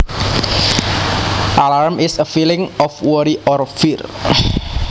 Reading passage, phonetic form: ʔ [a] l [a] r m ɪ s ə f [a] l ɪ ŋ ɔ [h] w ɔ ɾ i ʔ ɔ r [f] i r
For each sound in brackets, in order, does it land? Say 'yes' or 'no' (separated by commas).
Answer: yes, yes, no, no, yes